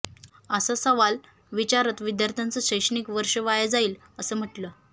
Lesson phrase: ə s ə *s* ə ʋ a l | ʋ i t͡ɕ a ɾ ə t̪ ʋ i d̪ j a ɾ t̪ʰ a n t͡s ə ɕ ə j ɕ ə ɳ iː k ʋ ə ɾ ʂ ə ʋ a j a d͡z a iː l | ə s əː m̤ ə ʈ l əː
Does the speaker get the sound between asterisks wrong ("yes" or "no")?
no